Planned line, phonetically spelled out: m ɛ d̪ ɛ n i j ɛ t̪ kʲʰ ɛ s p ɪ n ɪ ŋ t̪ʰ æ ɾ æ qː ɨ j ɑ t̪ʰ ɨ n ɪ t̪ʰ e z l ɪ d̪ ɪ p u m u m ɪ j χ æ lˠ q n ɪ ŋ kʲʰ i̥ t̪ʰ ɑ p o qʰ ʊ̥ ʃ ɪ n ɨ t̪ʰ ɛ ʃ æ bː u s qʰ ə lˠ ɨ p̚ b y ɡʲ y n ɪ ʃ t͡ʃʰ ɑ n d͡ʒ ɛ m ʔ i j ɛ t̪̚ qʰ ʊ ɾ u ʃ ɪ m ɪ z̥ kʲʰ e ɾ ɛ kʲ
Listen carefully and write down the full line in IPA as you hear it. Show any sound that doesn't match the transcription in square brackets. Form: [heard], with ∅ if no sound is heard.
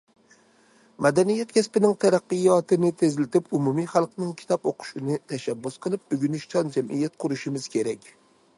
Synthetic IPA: m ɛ d̪ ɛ n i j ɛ t̪ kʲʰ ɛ s p ɪ n ɪ ŋ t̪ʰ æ ɾ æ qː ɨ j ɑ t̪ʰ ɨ n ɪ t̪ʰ e z l ɪ [t̪] ɪ p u m u m [i] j χ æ lˠ q n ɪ ŋ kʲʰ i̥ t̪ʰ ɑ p o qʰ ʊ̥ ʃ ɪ n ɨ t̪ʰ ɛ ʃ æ bː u s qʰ ə lˠ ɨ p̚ b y ɡʲ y n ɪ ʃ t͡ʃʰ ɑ n d͡ʒ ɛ m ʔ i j ɛ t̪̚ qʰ ʊ ɾ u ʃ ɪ m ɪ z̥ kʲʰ e ɾ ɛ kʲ